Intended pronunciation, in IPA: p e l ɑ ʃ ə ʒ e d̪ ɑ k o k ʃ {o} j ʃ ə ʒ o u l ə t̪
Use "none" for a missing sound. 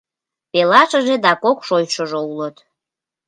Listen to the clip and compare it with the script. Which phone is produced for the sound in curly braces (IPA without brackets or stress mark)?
o